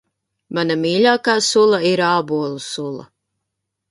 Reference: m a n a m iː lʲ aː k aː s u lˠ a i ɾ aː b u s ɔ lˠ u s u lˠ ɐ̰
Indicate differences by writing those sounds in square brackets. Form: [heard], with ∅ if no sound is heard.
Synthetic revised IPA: m a n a m iː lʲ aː k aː s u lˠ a i ɾ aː b u [∅] ɔ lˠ u s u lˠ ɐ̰

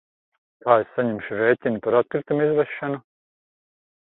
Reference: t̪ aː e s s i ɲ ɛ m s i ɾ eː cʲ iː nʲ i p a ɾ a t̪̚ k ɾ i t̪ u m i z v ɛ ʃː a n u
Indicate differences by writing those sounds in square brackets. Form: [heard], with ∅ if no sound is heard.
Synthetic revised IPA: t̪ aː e s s [a] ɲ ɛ m [ʃ] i ɾ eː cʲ [i] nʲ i p a ɾ a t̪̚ k ɾ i t̪ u m i z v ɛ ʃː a n u

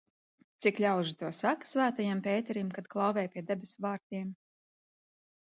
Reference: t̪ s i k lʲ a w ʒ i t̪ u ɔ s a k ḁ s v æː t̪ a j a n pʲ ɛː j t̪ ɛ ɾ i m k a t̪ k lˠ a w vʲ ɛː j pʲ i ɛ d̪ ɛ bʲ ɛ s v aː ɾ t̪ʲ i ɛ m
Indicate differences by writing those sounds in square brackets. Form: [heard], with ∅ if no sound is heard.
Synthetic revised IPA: t̪ s i k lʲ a w ʒ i t̪ u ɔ s a k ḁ s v æː t̪ a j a [m] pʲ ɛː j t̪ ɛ ɾ i m k a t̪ k lˠ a w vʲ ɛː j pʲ i ɛ d̪ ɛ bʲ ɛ s v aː ɾ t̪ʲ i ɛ m

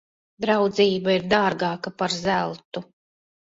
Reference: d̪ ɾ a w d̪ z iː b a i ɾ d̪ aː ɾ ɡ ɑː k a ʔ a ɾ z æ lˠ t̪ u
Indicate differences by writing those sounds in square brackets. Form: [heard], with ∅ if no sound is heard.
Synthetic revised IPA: d̪ ɾ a w d̪ z iː b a i ɾ d̪ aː ɾ ɡ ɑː k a [p] a ɾ z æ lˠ t̪ u

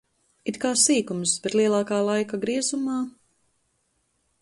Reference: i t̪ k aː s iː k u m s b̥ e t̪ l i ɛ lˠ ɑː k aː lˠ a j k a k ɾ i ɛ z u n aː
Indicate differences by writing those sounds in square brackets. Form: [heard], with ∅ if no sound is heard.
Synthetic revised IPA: i t̪ k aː s iː k u m s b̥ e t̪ l i ɛ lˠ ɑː k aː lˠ a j k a [ɡ] ɾ i ɛ z u [m] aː

